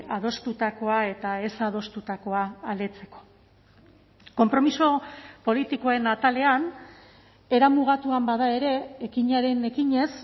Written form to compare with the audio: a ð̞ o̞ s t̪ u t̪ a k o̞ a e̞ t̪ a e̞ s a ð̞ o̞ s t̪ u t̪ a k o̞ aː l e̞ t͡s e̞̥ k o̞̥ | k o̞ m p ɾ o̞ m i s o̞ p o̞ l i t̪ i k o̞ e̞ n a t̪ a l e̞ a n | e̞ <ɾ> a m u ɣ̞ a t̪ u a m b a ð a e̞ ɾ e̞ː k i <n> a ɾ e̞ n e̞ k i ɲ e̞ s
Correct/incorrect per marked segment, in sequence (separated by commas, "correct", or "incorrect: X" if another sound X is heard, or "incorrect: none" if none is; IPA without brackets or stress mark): correct, incorrect: ɲ